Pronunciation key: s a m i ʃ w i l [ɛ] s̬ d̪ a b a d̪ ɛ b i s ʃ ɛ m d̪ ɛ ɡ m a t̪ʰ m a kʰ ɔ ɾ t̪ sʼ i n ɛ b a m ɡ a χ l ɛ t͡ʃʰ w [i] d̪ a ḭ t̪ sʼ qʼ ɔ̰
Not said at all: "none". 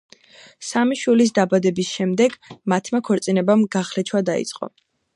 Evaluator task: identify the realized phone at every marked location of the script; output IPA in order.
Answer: i, a

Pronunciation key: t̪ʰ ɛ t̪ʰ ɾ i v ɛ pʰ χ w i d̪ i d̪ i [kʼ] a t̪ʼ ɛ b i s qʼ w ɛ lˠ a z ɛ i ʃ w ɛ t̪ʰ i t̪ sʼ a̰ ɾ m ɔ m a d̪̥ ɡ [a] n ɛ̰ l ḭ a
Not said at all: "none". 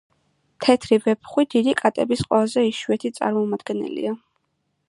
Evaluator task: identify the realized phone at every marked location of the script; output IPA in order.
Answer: kʼ, ɛ

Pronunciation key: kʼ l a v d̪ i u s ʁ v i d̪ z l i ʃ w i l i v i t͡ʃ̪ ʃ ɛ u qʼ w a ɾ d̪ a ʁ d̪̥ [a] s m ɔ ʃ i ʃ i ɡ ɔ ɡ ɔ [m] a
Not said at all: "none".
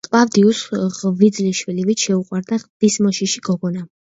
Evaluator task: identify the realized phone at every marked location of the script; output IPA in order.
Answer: i, n

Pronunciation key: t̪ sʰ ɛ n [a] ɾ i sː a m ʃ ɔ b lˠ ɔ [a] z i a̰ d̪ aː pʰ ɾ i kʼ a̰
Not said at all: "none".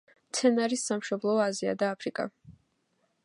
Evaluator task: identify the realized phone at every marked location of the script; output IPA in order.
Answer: a, a

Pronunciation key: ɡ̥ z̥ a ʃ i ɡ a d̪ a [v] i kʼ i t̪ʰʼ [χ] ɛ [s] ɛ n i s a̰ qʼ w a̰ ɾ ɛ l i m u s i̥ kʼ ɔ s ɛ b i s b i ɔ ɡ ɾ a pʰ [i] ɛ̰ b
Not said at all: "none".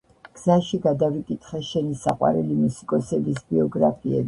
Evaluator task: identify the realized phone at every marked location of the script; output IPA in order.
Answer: v, χ, ʃ, i

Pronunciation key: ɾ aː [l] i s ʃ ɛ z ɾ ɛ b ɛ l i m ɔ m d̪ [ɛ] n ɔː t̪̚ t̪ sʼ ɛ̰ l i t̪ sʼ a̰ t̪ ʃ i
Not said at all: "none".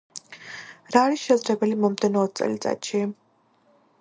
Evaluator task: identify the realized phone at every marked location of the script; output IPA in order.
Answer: ɾ, ɛ

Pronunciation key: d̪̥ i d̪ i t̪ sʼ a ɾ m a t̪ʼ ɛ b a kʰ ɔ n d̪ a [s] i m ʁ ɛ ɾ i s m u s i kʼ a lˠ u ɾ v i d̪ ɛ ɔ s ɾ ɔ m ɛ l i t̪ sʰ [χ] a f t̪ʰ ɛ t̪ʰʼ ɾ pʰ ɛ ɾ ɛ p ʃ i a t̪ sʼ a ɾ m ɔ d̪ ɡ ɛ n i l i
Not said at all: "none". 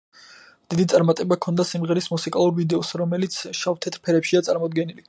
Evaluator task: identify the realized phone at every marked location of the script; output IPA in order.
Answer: s, ʃ

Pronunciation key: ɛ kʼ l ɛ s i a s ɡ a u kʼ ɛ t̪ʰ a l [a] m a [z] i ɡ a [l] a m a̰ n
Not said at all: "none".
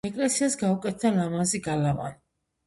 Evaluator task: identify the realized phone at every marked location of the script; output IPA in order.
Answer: a, z, l

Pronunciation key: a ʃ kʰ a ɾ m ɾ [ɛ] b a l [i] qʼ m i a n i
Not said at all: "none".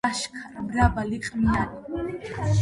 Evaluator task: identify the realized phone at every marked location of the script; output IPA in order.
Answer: a, i

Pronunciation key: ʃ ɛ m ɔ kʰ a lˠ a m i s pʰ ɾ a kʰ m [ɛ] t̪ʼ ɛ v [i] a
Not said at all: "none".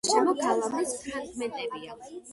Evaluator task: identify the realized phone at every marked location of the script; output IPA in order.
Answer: ɛ, i

